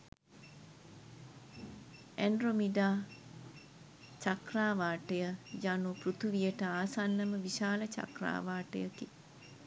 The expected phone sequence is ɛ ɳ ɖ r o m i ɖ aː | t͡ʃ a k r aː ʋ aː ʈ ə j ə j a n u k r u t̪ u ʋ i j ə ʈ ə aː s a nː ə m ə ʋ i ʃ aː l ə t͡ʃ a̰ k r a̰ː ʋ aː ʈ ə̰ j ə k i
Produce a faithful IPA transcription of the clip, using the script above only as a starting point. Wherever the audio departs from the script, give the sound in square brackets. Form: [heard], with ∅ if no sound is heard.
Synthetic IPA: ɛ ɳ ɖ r o m i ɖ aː | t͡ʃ a k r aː ʋ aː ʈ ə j ə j a n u [p] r u t̪ u ʋ i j ə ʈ ə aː s a nː ə m ə ʋ i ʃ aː l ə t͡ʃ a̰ k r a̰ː ʋ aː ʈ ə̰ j ə k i